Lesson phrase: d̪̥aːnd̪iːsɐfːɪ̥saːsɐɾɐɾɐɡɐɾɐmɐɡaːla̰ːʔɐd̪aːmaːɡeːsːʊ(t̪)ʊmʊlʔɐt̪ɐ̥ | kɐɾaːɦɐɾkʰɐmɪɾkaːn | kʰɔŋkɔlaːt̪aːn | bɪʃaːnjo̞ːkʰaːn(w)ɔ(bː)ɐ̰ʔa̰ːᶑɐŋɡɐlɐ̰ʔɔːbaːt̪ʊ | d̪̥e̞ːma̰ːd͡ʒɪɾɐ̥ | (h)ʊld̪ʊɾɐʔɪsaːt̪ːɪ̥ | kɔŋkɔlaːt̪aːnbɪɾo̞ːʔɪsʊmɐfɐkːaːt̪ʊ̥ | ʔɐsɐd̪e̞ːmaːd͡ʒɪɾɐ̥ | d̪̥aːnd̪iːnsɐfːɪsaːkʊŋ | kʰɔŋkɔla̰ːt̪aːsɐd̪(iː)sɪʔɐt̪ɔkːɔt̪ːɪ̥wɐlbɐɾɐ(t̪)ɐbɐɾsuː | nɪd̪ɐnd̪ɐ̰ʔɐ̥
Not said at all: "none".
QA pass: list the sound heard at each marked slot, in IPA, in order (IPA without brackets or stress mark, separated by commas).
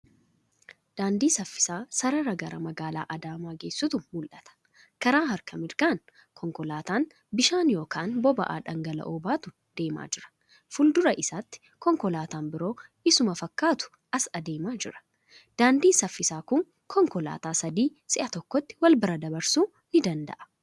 t̪, b, b, f, iː, d̪